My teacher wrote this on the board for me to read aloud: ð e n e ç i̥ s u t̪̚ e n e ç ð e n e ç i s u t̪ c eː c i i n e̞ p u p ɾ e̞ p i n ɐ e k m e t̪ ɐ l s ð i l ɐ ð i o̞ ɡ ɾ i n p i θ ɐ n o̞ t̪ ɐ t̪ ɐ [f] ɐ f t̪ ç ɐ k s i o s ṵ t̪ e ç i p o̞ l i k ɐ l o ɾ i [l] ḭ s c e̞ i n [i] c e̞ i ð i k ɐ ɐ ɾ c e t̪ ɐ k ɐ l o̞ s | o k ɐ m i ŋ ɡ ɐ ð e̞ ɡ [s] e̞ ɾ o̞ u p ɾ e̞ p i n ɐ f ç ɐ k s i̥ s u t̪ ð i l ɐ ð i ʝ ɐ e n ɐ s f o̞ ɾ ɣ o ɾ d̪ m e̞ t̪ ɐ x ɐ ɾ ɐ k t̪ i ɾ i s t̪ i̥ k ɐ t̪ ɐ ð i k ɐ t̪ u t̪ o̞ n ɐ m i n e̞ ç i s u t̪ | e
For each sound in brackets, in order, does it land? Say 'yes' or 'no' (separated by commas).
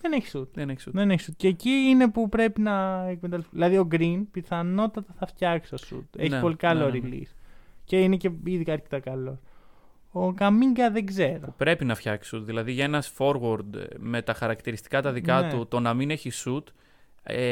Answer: no, yes, no, no